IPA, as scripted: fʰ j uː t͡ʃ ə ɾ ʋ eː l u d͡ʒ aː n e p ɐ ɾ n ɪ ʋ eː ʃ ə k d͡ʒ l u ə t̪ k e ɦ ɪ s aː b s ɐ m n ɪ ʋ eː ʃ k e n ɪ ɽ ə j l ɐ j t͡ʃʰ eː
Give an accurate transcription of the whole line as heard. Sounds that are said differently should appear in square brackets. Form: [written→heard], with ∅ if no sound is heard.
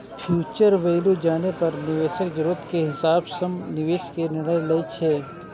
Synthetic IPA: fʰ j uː t͡ʃ ə ɾ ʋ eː l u d͡ʒ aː n e p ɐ ɾ n ɪ ʋ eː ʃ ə k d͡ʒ [l→ɾ] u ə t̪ k e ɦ ɪ s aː b s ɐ m n ɪ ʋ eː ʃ k e n ɪ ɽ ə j l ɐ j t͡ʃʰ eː